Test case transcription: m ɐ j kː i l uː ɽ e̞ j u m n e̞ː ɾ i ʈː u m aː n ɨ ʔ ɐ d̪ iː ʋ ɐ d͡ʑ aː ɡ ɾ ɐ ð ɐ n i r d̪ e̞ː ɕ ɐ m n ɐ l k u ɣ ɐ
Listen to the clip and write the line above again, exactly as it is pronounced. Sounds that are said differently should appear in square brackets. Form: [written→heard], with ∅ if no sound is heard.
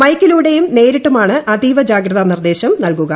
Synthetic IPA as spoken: m ɐ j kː i l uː ɽ e̞ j u m n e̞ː ɾ i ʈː u m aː [n→ɳ] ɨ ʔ ɐ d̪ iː ʋ ɐ d͡ʑ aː ɡ ɾ ɐ ð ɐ n i r d̪ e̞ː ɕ ɐ m n ɐ l k u ɣ ɐ